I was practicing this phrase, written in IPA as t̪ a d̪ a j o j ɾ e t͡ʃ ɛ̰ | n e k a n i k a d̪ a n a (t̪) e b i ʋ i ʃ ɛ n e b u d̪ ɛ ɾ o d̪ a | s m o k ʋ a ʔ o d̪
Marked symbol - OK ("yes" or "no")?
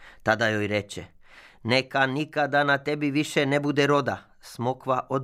yes